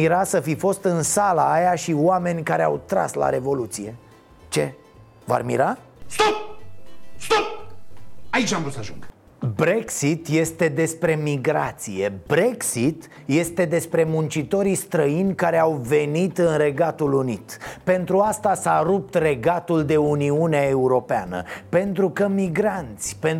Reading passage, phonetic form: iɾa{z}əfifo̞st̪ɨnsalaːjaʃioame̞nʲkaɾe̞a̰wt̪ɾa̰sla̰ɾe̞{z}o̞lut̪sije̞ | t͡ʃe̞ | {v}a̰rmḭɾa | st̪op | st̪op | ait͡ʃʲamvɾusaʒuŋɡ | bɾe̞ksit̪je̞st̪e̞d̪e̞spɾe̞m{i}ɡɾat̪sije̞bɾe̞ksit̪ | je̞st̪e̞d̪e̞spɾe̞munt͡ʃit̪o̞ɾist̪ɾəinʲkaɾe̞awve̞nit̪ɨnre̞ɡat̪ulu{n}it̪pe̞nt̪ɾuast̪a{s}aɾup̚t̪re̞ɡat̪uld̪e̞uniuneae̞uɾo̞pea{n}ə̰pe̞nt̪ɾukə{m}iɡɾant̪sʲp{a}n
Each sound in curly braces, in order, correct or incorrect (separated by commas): incorrect, incorrect, correct, correct, correct, correct, correct, correct, incorrect